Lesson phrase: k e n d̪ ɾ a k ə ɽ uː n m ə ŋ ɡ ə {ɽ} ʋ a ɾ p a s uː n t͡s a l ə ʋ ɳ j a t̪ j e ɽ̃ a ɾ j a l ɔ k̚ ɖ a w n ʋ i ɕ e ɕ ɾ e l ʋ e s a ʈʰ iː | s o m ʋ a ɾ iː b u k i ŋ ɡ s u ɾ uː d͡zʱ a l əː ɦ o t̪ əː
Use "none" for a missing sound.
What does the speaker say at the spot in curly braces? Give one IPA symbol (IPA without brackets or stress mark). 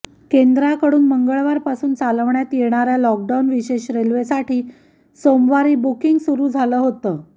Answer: ɭ